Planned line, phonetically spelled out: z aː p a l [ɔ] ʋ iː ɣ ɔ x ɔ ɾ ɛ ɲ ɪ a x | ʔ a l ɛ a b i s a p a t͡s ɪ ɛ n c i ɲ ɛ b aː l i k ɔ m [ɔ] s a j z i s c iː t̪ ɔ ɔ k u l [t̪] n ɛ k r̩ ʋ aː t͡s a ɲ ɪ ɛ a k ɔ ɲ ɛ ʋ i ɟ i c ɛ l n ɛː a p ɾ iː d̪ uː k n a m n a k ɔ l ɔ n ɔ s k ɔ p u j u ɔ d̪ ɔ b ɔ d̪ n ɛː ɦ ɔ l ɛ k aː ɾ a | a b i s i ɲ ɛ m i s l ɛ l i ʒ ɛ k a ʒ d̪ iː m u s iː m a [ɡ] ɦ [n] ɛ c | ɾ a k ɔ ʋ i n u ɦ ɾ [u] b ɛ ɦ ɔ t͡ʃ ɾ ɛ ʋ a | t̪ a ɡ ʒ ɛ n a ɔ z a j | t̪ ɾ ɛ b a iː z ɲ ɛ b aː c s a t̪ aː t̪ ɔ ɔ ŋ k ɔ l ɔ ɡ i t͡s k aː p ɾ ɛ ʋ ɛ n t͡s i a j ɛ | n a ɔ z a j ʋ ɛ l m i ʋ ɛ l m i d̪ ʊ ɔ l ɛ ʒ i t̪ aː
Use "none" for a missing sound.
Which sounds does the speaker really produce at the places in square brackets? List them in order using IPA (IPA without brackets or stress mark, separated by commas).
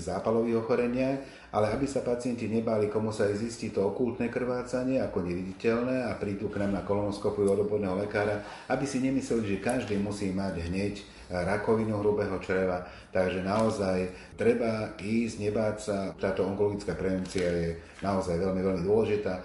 ɔ, u, t̪, ɟ, ɲ, u